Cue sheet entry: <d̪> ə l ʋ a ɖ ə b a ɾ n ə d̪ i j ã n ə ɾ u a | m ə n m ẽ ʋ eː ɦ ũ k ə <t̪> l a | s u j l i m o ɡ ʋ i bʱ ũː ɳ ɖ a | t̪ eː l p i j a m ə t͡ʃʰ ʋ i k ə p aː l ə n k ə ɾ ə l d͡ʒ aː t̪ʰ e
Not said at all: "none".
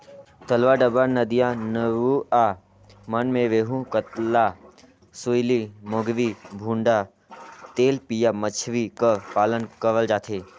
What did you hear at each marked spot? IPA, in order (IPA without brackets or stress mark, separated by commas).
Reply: t̪, t̪